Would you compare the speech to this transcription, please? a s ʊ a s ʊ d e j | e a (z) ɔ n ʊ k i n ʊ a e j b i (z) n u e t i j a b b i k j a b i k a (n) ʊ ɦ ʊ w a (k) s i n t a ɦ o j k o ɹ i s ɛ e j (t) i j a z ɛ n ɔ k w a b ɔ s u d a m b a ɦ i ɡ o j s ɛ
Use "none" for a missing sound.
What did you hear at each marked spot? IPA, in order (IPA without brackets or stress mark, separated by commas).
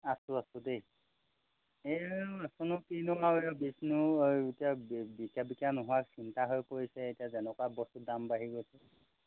s, s, n, k, t